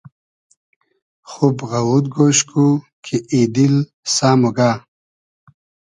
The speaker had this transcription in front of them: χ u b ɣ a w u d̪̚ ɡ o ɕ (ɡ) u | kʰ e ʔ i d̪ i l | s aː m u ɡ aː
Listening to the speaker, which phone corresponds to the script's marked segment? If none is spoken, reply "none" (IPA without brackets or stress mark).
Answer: k